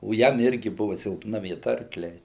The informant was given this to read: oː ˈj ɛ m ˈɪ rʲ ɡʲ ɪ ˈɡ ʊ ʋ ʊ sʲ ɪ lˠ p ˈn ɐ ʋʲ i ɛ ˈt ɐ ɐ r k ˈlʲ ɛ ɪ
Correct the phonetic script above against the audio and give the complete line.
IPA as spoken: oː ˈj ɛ m ˈɪ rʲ ɡʲ ɪ ˈb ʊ ʋ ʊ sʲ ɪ lˠ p ˈn ɐ ʋʲ i ɛ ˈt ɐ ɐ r k ˈlʲ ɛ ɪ